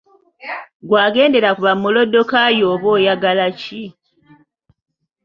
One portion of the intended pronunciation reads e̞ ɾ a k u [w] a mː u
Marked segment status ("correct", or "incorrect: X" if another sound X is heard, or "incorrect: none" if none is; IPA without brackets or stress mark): incorrect: β